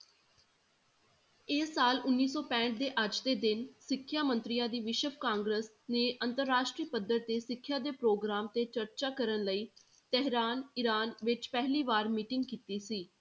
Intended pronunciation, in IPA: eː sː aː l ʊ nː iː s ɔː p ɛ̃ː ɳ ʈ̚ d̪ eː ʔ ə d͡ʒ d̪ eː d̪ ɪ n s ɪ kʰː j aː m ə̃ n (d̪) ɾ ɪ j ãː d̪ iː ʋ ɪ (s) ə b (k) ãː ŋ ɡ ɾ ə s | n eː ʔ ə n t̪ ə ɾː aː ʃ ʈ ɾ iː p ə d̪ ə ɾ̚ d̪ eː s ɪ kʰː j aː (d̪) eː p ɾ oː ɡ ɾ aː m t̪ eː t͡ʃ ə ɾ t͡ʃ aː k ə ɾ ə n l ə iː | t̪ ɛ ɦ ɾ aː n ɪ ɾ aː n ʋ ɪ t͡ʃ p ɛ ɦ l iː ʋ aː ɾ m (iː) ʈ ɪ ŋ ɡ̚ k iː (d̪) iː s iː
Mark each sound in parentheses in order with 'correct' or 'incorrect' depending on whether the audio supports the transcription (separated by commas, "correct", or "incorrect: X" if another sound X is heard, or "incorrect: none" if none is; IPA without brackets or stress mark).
incorrect: t̪, incorrect: ʃ, correct, correct, correct, incorrect: t̪